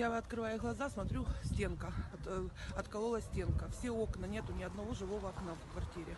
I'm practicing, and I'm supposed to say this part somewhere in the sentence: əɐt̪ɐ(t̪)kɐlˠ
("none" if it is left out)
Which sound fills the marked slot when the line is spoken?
t̪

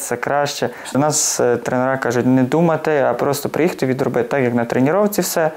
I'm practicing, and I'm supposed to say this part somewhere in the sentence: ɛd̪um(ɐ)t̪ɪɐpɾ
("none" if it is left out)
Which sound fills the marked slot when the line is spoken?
ɐ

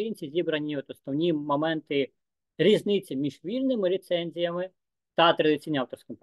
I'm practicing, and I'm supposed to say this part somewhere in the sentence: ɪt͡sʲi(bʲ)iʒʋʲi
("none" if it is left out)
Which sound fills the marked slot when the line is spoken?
mʲ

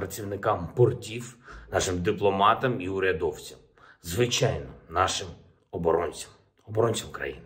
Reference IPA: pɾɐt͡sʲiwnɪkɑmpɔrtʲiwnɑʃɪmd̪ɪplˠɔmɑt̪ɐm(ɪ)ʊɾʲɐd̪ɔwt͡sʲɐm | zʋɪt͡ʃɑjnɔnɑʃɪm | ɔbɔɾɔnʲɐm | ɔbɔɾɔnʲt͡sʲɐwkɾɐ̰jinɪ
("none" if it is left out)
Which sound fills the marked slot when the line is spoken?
i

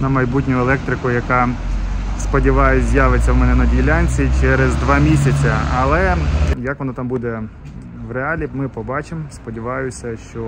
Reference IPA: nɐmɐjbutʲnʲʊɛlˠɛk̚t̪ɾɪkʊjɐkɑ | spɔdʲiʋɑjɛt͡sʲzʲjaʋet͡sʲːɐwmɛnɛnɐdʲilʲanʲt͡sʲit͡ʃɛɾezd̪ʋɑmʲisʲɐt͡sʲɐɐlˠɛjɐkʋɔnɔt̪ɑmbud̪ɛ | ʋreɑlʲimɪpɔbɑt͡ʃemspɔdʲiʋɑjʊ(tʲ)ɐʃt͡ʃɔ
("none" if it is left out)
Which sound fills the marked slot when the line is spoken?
sʲ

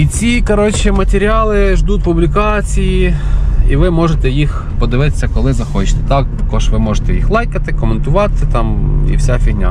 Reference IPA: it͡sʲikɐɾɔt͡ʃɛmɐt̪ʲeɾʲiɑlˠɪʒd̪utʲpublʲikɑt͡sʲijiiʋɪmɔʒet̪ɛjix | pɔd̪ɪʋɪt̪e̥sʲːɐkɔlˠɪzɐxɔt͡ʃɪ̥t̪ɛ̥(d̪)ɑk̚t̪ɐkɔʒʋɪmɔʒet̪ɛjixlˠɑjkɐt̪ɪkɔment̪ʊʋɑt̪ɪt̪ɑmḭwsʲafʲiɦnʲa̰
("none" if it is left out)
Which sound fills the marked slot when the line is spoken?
t̪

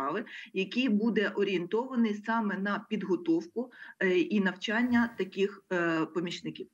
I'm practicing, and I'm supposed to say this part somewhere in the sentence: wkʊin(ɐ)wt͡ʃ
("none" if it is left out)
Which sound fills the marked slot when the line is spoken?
ɐ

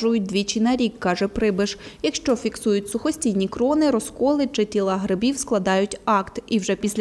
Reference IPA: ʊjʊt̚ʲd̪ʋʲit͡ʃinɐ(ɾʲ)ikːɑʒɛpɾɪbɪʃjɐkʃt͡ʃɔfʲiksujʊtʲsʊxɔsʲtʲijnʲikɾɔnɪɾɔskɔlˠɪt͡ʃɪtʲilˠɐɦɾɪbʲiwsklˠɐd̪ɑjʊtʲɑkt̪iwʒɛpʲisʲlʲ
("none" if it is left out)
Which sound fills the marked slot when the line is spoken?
ɾʲ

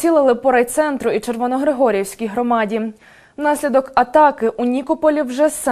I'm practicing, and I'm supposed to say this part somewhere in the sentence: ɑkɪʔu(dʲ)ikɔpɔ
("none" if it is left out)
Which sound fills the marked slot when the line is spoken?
nʲ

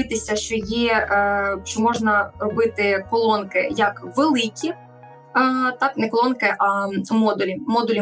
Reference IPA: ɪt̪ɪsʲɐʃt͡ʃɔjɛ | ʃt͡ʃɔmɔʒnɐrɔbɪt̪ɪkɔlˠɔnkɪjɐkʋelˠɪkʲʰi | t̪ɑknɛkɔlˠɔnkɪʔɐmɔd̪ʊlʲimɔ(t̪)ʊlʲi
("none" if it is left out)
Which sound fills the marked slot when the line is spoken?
d̪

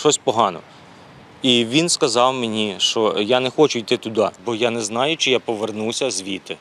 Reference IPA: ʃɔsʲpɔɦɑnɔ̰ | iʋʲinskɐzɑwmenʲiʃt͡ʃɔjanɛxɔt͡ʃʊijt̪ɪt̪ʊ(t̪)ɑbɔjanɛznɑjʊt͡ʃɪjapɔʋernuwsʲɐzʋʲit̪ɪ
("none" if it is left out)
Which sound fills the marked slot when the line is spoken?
d̪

